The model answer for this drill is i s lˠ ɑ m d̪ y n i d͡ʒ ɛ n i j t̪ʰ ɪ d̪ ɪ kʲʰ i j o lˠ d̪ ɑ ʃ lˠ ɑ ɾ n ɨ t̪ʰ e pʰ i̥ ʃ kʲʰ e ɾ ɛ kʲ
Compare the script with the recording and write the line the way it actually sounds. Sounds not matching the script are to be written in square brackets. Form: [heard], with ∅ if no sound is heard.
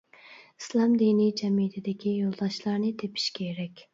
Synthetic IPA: i s lˠ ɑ m d̪ [i] n i d͡ʒ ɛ [m] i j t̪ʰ ɪ d̪ ɪ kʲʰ i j o lˠ d̪ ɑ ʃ lˠ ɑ ɾ n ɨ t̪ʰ e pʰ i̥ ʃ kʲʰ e ɾ ɛ kʲ